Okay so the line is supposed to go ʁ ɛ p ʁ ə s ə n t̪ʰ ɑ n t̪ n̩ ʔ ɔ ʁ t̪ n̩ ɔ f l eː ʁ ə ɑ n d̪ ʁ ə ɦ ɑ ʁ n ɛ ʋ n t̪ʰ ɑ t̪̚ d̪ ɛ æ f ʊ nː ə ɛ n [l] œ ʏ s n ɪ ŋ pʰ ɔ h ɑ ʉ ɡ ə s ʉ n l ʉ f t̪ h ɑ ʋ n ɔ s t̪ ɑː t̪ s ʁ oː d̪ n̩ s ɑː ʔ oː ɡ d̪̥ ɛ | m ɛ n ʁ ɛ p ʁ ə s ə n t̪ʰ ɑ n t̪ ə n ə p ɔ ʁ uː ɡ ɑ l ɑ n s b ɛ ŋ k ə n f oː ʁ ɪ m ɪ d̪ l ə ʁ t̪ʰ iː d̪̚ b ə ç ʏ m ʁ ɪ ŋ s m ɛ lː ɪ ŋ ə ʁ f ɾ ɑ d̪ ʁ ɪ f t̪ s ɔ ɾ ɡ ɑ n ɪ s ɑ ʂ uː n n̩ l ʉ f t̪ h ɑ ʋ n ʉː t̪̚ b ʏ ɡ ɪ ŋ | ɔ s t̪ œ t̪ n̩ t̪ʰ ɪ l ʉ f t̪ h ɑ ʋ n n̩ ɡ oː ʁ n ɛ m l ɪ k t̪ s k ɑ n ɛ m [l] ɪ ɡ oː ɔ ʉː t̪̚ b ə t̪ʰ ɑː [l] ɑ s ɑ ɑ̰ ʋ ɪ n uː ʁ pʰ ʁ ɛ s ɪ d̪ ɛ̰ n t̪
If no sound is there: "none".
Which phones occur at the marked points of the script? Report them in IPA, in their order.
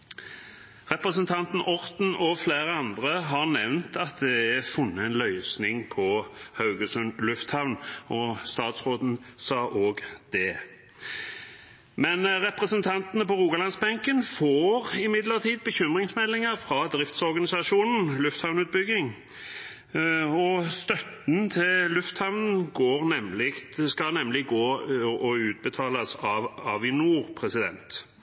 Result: l, l, l

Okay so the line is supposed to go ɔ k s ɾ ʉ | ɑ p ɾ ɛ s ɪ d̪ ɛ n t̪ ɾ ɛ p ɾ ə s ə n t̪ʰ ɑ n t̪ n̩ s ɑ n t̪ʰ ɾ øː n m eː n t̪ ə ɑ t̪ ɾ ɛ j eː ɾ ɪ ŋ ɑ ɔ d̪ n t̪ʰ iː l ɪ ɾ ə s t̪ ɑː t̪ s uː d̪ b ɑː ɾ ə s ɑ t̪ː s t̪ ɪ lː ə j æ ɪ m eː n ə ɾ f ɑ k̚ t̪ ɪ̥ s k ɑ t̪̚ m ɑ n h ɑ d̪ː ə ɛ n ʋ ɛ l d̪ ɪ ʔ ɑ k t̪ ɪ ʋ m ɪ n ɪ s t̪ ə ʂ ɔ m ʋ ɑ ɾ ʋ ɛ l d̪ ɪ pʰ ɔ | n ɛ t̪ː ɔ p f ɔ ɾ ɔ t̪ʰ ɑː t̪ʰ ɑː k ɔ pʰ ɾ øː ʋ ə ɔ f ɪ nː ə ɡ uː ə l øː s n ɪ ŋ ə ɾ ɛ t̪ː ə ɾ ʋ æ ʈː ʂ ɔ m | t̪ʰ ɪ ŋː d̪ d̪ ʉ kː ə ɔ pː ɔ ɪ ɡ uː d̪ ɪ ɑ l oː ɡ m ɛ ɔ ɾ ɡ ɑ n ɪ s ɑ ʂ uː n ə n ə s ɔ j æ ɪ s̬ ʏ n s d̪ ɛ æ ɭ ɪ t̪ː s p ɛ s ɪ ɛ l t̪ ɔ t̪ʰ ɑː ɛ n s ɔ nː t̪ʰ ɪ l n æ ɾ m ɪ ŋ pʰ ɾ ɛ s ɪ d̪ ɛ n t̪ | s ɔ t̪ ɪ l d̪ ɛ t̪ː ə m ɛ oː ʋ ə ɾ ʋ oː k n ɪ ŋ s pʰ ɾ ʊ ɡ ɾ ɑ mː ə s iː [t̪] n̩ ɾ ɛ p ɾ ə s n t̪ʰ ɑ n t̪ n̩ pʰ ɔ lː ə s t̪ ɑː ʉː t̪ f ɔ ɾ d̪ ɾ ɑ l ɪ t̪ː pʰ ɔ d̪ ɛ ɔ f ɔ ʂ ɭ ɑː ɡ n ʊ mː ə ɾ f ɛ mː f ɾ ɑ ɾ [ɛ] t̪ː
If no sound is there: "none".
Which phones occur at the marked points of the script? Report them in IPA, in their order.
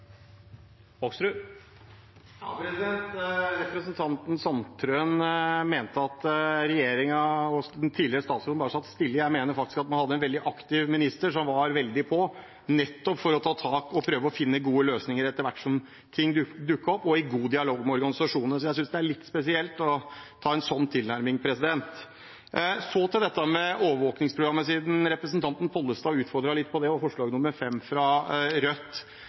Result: d̪, œ

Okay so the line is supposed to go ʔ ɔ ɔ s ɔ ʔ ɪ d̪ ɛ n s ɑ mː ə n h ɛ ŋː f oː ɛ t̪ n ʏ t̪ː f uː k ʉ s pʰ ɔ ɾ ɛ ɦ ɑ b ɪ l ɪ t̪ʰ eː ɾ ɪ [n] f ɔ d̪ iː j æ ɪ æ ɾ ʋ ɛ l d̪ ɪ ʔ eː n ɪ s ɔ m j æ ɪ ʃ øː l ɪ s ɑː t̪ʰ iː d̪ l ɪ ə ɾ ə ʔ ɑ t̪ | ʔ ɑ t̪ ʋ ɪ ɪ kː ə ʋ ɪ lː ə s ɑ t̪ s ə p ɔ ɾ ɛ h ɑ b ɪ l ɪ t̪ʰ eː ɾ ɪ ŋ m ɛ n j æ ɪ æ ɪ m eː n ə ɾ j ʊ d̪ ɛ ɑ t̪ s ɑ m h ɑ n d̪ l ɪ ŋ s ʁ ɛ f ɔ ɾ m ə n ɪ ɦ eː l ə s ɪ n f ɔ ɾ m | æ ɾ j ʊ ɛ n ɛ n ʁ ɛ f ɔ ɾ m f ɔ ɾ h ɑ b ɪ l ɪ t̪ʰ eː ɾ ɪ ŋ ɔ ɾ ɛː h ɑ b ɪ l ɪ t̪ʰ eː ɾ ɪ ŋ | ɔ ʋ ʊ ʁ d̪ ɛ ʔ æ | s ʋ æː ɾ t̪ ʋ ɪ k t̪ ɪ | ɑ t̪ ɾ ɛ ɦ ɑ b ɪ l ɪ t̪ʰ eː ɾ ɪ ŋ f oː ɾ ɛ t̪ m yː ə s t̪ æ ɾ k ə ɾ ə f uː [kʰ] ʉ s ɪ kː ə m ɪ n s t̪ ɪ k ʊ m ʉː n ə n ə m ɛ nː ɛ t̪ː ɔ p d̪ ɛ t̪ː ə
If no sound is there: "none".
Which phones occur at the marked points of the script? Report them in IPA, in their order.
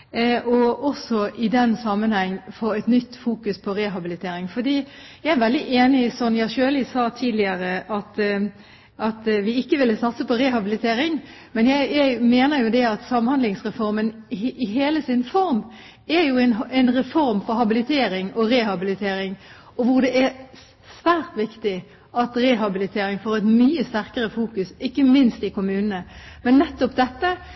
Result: ŋ, k

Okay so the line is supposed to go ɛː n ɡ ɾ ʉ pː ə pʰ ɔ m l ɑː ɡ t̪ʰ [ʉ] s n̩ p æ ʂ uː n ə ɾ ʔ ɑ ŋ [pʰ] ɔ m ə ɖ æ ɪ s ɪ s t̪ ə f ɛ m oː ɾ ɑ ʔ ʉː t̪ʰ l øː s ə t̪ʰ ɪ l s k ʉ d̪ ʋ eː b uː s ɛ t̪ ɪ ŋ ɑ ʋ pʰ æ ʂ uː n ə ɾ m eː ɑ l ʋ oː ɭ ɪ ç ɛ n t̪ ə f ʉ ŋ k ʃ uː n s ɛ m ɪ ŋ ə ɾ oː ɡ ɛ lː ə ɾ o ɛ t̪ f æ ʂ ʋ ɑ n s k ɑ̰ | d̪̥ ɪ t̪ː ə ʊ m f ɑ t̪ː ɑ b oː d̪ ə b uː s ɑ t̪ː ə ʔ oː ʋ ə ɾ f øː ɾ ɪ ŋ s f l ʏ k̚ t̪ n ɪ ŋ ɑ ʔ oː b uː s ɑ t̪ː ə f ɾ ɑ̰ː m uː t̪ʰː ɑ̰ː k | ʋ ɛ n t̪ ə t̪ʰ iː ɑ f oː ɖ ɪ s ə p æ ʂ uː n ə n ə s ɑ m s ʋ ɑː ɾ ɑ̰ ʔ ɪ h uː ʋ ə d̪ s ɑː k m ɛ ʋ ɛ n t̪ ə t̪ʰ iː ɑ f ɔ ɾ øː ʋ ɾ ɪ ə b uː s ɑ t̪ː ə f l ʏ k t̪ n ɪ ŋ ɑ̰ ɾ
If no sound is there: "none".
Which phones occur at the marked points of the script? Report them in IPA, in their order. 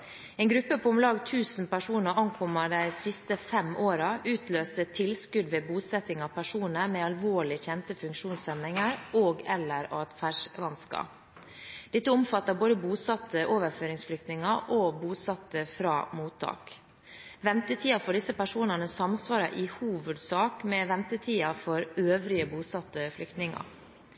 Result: ʉː, kʰ

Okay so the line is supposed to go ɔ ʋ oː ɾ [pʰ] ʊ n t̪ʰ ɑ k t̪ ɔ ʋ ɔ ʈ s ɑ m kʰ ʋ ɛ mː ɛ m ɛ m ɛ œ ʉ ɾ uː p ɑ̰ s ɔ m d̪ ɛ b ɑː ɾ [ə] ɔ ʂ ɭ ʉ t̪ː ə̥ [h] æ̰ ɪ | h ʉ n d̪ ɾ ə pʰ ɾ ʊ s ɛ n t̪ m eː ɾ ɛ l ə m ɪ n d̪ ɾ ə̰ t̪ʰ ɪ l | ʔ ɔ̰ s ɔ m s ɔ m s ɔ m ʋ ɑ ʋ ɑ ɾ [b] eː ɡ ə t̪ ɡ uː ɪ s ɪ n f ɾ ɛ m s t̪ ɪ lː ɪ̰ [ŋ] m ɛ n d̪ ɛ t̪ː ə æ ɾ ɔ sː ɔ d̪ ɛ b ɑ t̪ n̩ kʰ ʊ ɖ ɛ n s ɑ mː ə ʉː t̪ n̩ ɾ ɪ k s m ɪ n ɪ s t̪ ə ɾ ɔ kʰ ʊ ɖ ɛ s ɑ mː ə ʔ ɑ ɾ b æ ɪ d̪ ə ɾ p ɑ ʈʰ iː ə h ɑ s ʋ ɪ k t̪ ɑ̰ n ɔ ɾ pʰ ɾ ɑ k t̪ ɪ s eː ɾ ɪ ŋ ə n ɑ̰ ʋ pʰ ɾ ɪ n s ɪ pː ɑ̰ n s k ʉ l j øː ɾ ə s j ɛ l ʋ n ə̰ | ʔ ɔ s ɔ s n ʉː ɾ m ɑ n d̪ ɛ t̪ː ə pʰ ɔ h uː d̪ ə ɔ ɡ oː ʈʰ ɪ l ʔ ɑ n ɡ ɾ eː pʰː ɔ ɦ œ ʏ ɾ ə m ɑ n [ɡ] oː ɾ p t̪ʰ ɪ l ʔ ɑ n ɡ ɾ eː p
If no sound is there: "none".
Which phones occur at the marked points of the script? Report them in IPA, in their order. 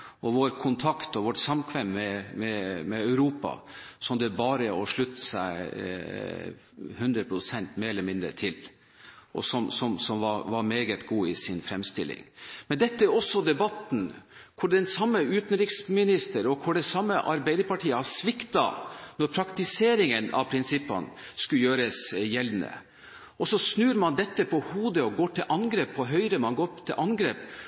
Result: kʰ, ə, s, m, ŋ, ɡ

